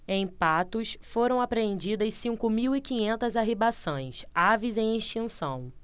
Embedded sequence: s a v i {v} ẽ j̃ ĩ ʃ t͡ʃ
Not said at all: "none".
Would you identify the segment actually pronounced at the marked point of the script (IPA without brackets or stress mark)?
z